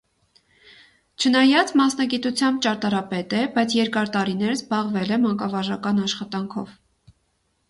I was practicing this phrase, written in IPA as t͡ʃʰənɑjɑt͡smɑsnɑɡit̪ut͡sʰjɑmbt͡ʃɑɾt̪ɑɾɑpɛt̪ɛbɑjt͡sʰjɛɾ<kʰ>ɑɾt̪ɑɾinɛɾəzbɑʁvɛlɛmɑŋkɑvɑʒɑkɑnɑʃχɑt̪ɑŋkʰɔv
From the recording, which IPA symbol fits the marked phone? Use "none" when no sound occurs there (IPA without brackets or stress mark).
k